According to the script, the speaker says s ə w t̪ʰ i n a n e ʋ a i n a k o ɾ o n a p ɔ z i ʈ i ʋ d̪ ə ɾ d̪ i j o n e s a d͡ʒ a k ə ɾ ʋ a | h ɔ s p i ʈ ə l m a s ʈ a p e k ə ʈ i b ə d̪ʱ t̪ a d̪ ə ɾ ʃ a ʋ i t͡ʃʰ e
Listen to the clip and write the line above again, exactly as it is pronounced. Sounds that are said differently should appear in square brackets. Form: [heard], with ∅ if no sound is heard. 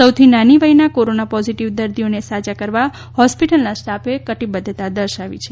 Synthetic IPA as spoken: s ə w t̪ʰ i n a n [i] ʋ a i n a k o ɾ o n a p ɔ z i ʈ i ʋ d̪ ə ɾ d̪ i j o n e s a d͡ʒ a k ə ɾ ʋ a | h ɔ s p i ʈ ə l [n] a s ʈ a p e k ə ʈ i b ə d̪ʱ t̪ a d̪ ə ɾ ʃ a ʋ i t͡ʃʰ e

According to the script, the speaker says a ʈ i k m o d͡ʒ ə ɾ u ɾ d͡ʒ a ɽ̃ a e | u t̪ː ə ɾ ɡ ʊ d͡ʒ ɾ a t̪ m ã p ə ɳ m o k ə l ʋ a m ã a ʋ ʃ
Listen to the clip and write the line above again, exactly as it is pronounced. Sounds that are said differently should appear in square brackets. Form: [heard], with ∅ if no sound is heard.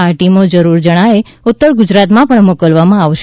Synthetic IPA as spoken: a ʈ i [∅] m o d͡ʒ ə ɾ u ɾ d͡ʒ [ə] ɽ̃ a e | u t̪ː ə ɾ ɡ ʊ d͡ʒ ɾ a t̪ m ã p ə ɳ m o k ə l ʋ a m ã a ʋ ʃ

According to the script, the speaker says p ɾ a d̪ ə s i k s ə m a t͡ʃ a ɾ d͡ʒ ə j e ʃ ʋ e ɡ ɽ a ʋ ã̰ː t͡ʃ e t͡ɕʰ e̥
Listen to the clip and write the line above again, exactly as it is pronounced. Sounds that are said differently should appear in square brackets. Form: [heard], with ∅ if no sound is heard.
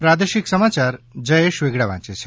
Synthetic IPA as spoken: p ɾ a d̪ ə [ʃ] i k s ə m a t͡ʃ a ɾ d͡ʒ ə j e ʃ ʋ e ɡ ɽ a ʋ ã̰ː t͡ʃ e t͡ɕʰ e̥

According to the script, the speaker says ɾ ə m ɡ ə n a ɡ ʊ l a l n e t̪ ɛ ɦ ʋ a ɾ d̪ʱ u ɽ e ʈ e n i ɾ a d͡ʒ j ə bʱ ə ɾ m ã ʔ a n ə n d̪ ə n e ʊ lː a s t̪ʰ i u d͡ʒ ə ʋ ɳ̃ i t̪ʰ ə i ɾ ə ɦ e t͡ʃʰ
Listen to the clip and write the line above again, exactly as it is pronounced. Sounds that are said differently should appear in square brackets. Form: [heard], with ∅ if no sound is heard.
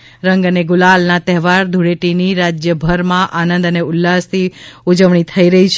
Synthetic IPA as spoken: ɾ ə [ŋ] ɡ ə n [e] ɡ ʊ l a l n [a] t̪ ɛ ɦ ʋ a ɾ d̪ʱ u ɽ e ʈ [i] n i ɾ a d͡ʒ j ə bʱ ə ɾ m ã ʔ a n ə n d̪ ə n e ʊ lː a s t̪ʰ i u d͡ʒ ə ʋ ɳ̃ i t̪ʰ ə i ɾ ə ɦ [i] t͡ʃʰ

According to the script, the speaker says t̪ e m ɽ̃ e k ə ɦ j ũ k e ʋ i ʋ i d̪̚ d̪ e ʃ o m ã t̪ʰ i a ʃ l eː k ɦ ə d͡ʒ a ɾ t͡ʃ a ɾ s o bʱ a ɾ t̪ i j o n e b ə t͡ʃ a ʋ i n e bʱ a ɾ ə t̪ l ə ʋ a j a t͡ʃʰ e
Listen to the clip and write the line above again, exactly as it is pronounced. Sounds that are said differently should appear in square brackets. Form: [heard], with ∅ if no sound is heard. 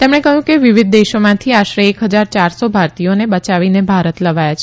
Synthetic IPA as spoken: t̪ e m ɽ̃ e k ə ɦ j ũ k e ʋ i ʋ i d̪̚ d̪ e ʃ o m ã t̪ʰ i a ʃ [ɾ] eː k ɦ ə d͡ʒ a ɾ t͡ʃ a ɾ s o bʱ a ɾ t̪ i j o n e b ə t͡ʃ a ʋ i n e bʱ a ɾ ə t̪ l ə ʋ a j a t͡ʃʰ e

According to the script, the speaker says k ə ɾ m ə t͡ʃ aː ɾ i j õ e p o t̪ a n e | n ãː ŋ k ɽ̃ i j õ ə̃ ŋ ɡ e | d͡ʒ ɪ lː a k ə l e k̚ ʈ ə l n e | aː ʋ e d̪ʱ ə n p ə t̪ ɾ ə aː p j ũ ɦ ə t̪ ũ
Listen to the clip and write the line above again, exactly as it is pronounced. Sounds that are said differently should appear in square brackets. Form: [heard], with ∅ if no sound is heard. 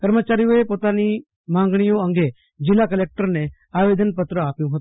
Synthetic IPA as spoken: k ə ɾ m ə t͡ʃ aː ɾ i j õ e p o t̪ a n [i] | [m] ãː ŋ [ɡ] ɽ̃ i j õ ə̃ ŋ ɡ e | d͡ʒ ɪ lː a k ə l e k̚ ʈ ə [ɾ] n e | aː ʋ e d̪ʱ ə n p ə t̪ ɾ ə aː p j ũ ɦ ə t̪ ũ

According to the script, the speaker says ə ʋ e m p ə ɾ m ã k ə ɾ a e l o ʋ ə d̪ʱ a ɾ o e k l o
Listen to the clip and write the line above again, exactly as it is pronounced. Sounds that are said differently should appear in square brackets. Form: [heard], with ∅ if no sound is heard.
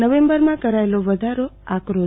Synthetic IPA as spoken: ə ʋ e m [b] ə ɾ m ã k ə ɾ a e l o ʋ ə d̪ʱ a ɾ o [a] k [ɾ] o

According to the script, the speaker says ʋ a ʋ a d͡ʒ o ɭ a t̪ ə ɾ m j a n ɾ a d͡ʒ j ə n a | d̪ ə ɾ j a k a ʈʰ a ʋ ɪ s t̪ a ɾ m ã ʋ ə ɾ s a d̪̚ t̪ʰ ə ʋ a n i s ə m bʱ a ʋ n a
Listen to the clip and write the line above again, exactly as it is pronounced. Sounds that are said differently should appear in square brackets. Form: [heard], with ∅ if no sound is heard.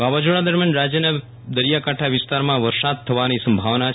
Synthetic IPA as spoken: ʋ a ʋ a d͡ʒ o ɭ a [d̪] ə ɾ m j a n ɾ a d͡ʒ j ə n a | d̪ ə ɾ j a k a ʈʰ a ʋ ɪ s t̪ a ɾ m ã ʋ ə ɾ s a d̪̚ t̪ʰ ə ʋ a n i s ə m bʱ a ʋ n a

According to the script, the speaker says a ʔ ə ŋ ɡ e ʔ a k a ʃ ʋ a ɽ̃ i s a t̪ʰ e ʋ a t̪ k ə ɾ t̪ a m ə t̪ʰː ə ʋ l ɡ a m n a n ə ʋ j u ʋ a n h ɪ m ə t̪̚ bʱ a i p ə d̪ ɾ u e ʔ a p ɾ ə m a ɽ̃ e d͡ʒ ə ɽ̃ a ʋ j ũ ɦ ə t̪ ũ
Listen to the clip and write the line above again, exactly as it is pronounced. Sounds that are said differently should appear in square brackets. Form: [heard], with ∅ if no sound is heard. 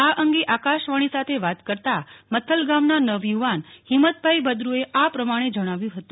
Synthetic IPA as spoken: a ʔ ə ŋ ɡ e ʔ a k a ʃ ʋ a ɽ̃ i s a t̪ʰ e ʋ a t̪ k ə ɾ t̪ a m ə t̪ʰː ə [∅] l ɡ a m n a n ə ʋ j u ʋ a n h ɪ m ə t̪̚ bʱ a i [b] ə d̪ ɾ u e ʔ a p ɾ ə m a ɽ̃ e d͡ʒ ə ɽ̃ a ʋ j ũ ɦ ə t̪ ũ

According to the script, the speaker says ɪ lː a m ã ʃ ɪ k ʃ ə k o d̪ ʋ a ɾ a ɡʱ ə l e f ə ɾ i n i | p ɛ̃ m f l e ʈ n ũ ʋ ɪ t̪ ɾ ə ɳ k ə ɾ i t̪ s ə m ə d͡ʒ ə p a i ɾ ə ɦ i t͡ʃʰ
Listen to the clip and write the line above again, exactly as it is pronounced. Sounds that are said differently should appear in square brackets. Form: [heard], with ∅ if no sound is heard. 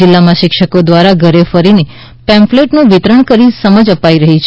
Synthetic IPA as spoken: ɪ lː a m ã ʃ ɪ k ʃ ə k o d̪ ʋ a ɾ a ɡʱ ə [ɾ] e f ə ɾ i n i | p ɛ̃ m f l e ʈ n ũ ʋ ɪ t̪ ɾ ə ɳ k ə ɾ i [∅] s ə m ə d͡ʒ ə p a i ɾ ə ɦ i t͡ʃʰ

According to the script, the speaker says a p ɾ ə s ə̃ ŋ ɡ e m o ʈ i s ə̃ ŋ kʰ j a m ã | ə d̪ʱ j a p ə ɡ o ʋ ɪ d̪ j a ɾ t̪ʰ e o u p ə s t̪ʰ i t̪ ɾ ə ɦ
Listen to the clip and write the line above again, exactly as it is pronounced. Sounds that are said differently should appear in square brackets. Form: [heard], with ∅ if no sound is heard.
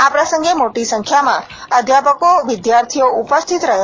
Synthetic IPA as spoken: a p ɾ ə s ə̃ ŋ ɡ e m o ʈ i s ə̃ ŋ kʰ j a m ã | ə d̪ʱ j a p ə [k] o ʋ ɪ d̪ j a ɾ t̪ʰ [i] o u p ə s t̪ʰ i t̪ ɾ ə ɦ

